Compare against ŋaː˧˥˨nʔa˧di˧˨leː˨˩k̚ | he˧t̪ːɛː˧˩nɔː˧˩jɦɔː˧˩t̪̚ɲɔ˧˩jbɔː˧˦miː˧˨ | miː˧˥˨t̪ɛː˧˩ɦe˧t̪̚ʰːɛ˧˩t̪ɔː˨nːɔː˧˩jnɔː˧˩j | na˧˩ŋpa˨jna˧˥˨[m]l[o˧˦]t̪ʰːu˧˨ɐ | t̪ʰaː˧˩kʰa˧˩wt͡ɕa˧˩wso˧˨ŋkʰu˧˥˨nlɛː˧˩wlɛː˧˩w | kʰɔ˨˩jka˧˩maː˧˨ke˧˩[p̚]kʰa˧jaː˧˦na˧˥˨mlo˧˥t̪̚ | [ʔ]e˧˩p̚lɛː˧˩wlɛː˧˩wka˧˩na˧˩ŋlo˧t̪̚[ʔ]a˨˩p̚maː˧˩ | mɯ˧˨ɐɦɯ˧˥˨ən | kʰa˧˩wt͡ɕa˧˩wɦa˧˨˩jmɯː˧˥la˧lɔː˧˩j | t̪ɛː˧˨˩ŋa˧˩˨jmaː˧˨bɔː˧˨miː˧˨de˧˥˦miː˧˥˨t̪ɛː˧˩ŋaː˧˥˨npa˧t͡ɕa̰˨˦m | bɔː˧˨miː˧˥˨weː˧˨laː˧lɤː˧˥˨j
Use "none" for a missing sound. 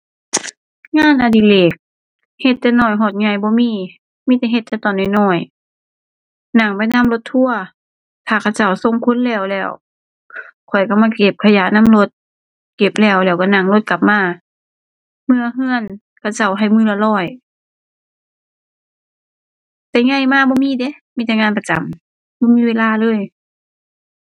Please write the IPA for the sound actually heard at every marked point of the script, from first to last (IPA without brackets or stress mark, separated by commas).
m, o˧˦, p̚, k, k